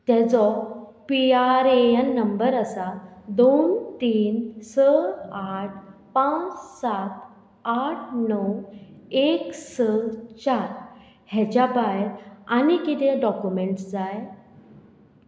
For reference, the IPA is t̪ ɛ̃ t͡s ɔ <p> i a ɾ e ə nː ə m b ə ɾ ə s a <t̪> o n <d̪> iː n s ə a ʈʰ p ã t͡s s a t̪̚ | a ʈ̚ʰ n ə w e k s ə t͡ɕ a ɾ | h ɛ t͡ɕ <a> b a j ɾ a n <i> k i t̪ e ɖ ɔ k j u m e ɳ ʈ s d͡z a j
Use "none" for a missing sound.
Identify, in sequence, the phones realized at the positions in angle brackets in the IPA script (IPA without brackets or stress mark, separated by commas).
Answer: p, d̪, t̪, a, i